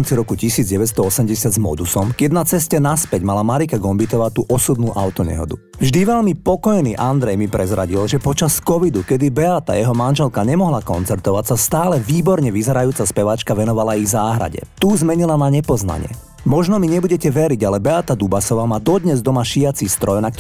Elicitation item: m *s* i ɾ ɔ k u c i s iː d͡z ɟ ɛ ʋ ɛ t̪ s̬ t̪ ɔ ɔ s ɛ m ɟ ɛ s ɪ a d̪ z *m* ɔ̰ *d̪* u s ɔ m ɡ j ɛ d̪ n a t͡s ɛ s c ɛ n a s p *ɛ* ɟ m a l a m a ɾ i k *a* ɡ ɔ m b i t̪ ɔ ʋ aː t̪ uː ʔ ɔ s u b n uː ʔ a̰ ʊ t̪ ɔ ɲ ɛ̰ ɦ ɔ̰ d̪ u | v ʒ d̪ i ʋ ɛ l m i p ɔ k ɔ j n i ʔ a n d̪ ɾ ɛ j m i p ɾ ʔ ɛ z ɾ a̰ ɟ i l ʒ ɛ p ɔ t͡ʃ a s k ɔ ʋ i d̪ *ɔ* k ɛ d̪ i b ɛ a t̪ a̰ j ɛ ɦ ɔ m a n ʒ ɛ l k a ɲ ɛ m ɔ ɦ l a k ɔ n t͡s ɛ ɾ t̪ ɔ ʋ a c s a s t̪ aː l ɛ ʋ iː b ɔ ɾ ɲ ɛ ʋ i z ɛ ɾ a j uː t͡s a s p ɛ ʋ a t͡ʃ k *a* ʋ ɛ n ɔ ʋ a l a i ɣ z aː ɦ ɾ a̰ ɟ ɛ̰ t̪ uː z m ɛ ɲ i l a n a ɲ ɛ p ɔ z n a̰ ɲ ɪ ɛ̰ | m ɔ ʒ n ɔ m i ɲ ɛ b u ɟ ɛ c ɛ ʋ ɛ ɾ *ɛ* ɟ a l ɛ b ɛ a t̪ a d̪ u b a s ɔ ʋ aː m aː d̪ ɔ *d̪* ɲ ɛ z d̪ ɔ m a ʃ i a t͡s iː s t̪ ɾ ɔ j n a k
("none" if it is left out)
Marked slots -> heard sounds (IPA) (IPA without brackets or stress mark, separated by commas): t͡s, m, d̪, ɛ, a, u, a, i, d̪